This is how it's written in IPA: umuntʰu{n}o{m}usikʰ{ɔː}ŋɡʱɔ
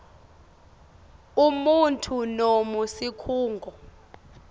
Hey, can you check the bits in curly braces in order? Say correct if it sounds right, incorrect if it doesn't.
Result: correct, correct, incorrect

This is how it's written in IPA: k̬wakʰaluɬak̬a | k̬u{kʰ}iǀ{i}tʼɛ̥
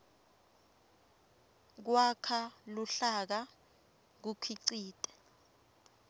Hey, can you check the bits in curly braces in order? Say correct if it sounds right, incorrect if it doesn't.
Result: correct, incorrect

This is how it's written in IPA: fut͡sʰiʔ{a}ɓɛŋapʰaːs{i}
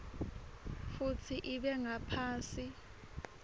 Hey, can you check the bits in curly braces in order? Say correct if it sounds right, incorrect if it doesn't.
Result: incorrect, correct

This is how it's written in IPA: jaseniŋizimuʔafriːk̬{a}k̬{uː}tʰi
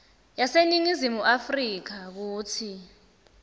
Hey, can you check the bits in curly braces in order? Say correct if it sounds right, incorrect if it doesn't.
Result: correct, correct

